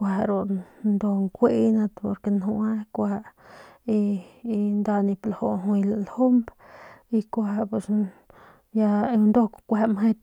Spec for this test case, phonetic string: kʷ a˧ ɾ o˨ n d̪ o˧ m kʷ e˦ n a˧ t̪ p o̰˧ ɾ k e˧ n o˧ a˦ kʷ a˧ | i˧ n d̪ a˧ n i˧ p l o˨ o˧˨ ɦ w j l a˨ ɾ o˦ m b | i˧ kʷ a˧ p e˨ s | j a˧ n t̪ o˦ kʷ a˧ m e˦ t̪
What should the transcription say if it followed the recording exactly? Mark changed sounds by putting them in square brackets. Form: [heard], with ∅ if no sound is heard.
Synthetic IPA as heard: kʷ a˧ ɾ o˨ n d̪ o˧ [ŋ] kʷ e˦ n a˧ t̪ p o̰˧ ɾ k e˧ n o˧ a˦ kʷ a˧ | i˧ n d̪ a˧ n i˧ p l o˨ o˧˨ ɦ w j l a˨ [l] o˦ m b | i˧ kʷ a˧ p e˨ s | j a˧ n [d̪] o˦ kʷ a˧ m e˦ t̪